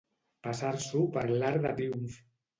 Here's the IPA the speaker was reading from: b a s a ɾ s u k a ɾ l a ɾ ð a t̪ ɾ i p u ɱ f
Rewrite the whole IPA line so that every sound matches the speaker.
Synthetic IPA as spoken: p a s a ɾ s u p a ɾ l a ɾ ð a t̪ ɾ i u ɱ f